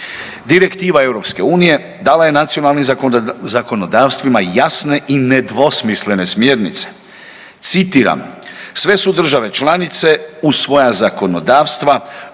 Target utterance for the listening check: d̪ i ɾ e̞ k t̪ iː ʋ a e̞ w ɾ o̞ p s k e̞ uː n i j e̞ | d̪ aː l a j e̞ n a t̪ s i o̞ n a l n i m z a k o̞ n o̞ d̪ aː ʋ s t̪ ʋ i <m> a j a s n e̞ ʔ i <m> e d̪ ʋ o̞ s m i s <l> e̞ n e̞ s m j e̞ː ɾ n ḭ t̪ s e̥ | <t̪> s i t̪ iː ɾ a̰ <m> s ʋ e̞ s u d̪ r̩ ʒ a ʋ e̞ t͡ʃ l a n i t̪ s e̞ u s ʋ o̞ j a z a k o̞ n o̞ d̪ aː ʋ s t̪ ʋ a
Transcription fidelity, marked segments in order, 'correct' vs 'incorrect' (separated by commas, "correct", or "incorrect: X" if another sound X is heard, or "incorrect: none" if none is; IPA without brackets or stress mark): correct, incorrect: n, correct, correct, correct